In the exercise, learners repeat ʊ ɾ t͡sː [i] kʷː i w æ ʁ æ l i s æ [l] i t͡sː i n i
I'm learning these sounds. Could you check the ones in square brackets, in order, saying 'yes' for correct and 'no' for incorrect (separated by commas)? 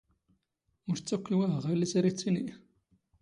no, no